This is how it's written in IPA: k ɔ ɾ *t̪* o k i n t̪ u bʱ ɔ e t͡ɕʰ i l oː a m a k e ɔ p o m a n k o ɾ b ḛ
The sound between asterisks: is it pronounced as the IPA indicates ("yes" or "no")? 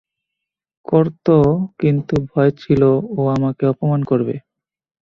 yes